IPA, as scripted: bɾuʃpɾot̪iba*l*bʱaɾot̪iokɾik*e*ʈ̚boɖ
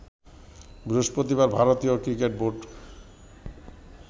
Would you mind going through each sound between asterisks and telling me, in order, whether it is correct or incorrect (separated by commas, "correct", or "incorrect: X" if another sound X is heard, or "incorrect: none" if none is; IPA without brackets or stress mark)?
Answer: incorrect: ɾ, correct